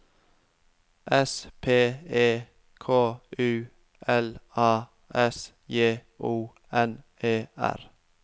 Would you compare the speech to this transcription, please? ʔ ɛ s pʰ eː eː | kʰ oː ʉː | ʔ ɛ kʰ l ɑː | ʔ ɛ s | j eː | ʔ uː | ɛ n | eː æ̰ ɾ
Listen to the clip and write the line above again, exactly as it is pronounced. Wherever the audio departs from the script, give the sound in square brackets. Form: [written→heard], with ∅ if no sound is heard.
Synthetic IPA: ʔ ɛ s pʰ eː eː | kʰ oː ʉː | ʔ ɛ [kʰ→∅] l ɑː | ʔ ɛ s | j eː | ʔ uː | ɛ n | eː æ̰ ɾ